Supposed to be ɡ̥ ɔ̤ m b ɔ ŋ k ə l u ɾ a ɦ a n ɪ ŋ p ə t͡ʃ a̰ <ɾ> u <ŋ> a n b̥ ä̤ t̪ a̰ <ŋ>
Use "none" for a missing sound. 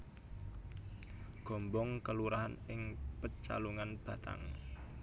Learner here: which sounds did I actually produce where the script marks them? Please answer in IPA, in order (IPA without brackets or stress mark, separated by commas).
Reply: l, ŋ, ŋ